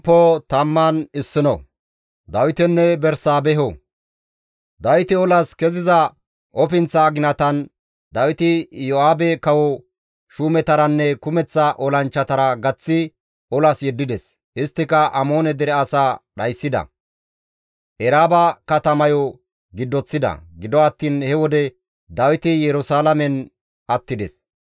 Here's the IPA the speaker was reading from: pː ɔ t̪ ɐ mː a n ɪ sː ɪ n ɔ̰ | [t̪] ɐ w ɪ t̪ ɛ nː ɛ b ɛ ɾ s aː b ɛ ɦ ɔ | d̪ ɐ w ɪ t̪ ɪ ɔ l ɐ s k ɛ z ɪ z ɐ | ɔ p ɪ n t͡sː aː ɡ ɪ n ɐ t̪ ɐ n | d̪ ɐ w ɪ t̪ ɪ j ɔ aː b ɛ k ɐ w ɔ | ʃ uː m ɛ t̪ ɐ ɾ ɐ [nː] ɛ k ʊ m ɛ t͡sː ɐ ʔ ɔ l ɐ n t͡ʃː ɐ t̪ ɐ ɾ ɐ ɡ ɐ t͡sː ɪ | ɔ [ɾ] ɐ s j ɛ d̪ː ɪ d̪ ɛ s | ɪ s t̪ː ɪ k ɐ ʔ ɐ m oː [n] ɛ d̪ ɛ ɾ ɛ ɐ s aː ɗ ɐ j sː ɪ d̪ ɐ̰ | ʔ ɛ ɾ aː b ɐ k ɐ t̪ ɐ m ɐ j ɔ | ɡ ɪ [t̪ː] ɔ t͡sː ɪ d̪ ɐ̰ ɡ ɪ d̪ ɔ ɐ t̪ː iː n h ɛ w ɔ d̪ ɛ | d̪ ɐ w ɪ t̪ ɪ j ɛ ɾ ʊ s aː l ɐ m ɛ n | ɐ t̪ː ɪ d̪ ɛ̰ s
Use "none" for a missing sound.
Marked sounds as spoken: d̪, nː, l, n, d̪ː

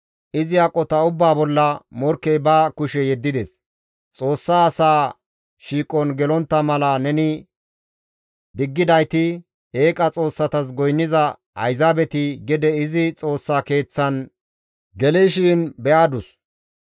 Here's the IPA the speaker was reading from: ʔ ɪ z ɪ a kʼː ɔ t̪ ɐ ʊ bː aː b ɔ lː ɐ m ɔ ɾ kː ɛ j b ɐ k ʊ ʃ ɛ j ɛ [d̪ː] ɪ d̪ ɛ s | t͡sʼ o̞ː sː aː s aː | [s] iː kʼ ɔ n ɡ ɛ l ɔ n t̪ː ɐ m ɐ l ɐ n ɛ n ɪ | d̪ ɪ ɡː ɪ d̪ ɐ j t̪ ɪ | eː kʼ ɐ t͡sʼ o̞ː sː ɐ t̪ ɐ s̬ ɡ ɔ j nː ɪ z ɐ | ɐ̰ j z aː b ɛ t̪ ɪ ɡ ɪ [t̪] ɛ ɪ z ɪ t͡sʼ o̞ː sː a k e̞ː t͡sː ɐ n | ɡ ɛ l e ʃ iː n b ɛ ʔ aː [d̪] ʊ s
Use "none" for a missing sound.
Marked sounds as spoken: d̪ː, ʃ, d̪, d̪

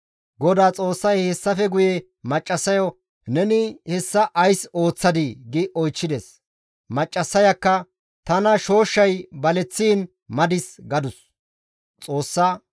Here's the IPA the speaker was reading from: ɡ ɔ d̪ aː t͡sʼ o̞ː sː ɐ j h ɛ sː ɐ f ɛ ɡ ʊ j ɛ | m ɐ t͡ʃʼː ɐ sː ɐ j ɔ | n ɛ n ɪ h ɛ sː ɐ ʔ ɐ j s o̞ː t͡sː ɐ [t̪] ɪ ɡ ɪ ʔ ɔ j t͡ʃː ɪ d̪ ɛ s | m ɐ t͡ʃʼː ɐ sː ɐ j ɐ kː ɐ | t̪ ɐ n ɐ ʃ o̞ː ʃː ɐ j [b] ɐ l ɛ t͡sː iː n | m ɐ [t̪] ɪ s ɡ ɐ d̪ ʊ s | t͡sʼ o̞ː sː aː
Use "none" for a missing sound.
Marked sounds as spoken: d̪, b, d̪

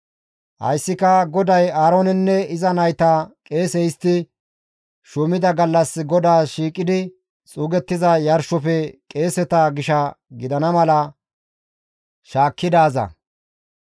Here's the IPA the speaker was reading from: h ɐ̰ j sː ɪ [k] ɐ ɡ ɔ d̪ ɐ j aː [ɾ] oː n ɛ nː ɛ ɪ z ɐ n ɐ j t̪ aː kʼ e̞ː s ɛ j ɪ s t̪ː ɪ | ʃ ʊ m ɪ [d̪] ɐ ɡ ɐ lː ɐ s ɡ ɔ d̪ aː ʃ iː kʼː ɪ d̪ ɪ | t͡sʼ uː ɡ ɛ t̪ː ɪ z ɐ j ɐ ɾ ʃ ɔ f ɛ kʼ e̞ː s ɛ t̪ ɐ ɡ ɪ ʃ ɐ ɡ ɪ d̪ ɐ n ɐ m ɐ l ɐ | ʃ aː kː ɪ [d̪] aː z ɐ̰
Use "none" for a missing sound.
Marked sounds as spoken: k, ɾ, d̪, d̪

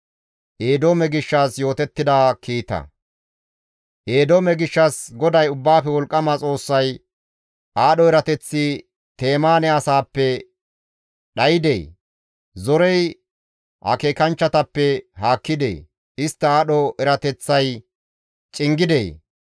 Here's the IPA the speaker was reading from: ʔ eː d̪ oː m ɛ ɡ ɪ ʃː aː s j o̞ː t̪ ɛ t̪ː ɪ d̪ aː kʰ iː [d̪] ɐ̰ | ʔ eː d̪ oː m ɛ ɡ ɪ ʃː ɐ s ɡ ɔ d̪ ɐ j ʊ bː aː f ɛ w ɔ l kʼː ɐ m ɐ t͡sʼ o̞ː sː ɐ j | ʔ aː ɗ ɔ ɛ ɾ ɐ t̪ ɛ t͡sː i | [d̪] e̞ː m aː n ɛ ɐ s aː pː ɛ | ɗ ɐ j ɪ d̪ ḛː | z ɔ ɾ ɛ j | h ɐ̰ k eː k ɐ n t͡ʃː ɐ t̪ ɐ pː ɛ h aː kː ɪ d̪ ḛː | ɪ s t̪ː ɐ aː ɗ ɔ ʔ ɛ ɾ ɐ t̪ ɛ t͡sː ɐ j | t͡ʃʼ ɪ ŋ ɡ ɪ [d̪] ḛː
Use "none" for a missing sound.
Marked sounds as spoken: t̪, t̪, d̪

